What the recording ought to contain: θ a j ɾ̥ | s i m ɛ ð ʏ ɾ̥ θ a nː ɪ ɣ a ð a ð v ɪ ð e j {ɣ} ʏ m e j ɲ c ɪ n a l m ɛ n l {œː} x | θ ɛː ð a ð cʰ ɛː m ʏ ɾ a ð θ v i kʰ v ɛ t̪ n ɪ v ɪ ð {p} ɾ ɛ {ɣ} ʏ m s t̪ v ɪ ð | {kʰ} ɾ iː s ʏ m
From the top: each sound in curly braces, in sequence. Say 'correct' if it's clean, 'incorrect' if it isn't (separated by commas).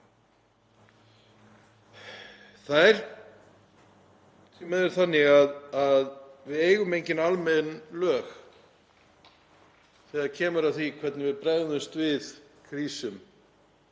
correct, correct, correct, incorrect, correct